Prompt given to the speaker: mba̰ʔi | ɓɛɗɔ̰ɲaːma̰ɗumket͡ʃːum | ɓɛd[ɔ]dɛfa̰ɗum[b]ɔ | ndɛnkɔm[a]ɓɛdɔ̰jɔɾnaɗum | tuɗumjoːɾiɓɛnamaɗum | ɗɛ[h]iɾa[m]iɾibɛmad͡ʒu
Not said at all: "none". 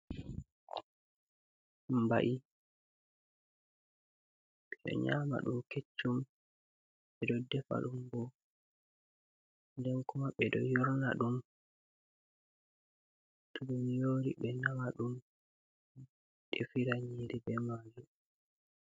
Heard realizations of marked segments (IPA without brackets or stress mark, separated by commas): ɔ, b, a, f, ɲ